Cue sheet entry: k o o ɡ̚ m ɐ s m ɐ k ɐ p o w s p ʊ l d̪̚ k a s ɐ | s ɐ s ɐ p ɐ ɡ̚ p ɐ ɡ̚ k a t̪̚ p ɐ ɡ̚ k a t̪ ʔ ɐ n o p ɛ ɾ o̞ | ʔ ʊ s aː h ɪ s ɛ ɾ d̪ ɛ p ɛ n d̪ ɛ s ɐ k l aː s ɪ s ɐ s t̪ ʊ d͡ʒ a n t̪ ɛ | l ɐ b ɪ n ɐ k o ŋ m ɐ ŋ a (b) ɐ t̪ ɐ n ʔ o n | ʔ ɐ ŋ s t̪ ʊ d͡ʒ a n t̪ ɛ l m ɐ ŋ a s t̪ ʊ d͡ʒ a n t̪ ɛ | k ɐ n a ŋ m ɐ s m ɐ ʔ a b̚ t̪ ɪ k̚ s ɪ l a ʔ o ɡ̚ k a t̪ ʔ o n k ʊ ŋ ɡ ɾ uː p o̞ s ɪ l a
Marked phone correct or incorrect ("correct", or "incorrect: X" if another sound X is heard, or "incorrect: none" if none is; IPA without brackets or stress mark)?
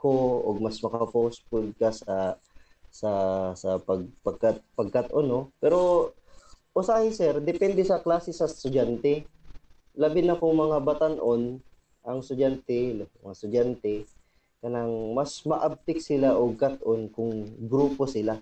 correct